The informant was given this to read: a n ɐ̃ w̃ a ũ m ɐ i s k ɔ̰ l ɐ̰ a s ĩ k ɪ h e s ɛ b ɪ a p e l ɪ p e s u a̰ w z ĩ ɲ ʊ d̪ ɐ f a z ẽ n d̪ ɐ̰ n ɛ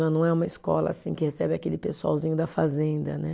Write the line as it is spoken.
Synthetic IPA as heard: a n ɐ̃ w̃ ɛ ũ m ɐ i s k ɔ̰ l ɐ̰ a s ĩ k ɪ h e s ɛ b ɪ a k e l ɪ p e s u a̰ w z ĩ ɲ ʊ d̪ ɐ f a z ẽ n d̪ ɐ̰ n ɛ